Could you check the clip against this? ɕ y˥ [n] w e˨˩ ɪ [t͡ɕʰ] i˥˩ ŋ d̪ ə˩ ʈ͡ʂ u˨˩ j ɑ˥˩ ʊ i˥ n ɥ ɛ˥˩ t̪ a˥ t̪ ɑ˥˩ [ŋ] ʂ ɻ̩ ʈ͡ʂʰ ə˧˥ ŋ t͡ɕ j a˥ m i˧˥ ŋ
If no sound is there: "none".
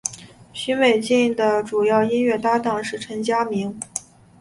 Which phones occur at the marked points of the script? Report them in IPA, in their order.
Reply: n, t͡ɕ, ŋ

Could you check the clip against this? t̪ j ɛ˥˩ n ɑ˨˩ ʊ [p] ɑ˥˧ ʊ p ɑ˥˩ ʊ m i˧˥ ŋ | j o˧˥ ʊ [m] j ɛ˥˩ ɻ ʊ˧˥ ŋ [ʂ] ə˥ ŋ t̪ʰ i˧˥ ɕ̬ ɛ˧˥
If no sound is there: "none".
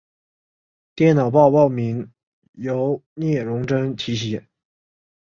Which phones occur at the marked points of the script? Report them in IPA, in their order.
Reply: p, n, ʈ͡ʂ

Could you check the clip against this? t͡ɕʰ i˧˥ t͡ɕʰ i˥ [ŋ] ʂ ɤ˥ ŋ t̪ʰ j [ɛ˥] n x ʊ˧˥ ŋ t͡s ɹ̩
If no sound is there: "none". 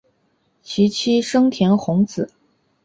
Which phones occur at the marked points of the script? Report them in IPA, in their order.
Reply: none, ɛ˧˥

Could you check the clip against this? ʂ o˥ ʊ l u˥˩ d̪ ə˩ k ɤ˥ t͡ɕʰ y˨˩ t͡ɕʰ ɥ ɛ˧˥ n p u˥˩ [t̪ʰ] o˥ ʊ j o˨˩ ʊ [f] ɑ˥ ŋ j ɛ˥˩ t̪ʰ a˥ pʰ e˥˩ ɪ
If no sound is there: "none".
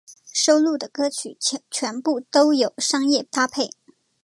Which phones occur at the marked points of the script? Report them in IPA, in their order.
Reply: t̪, ʂ

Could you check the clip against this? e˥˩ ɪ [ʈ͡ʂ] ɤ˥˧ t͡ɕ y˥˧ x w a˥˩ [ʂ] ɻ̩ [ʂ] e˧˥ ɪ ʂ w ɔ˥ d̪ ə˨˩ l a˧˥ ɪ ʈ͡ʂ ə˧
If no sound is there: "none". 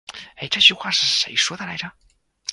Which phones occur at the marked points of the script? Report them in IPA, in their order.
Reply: ʈ͡ʂ, ʂ, ʂ

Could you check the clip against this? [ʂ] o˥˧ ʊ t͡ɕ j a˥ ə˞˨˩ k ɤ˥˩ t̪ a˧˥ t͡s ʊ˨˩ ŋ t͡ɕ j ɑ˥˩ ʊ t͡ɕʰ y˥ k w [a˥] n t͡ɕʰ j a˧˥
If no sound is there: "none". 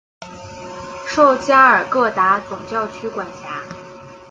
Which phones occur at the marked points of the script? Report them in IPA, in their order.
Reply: ʂ, a˨˩

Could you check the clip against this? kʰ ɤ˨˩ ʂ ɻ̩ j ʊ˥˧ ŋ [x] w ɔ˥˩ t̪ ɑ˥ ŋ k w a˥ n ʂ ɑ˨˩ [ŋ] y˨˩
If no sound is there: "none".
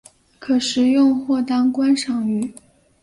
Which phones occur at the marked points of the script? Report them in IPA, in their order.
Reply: x, ŋ

